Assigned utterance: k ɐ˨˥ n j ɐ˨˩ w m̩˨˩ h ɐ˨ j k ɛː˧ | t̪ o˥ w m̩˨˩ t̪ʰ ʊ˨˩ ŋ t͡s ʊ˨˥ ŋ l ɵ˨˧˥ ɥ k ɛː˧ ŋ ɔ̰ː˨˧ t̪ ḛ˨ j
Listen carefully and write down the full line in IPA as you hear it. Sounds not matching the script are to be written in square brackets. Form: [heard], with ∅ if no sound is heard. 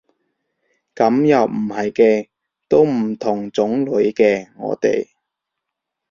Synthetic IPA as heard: k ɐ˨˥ [m] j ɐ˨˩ w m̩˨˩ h ɐ˨ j k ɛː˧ | t̪ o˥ w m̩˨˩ t̪ʰ ʊ˨˩ ŋ t͡s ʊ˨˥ ŋ l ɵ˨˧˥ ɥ k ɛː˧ ŋ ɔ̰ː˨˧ t̪ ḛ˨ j